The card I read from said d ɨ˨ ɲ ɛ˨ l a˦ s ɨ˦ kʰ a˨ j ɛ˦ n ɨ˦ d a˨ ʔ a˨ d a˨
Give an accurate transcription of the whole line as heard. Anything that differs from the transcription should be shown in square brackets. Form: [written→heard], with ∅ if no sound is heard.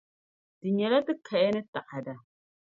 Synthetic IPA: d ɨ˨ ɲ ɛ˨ l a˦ [s→t] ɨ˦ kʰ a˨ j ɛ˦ n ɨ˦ [d→t] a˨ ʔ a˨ d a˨